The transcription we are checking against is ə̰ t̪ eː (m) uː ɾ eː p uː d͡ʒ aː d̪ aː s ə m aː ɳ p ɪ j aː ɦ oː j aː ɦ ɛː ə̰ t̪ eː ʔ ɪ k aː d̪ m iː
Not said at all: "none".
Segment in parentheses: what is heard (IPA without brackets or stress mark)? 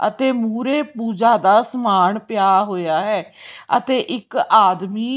m